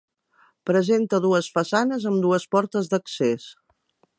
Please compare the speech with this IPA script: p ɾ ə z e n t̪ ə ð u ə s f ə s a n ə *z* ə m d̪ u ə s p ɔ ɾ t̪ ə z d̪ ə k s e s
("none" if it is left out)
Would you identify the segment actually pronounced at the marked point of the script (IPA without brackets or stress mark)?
z